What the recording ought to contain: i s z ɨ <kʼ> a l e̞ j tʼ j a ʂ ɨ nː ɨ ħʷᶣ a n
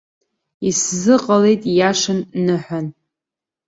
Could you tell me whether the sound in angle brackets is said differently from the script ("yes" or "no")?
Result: yes